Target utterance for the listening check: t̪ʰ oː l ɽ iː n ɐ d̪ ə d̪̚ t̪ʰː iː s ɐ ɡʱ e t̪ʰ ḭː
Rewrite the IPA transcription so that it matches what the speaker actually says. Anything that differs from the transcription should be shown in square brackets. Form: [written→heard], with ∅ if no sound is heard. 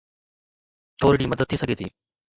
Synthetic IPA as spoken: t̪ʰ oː [l→ɾ] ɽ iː [n→m] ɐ d̪ ə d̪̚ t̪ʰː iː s ɐ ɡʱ e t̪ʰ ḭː